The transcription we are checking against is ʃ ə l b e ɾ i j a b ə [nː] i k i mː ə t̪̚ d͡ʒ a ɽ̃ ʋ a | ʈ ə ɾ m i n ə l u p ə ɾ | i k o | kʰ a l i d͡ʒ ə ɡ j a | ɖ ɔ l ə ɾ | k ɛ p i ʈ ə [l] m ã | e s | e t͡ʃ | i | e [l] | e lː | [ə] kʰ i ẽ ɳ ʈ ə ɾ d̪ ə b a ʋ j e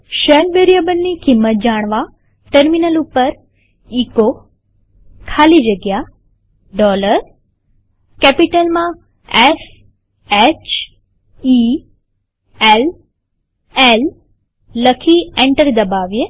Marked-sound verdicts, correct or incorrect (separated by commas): correct, correct, correct, correct